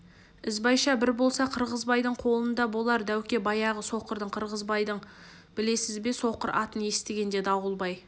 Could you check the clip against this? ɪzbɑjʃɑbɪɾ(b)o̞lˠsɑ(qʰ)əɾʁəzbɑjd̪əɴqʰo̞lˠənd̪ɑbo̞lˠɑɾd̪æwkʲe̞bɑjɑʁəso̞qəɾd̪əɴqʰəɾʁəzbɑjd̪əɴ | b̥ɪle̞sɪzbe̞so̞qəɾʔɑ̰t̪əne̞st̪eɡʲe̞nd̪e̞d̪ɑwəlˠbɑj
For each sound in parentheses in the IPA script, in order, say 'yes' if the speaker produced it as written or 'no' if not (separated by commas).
yes, yes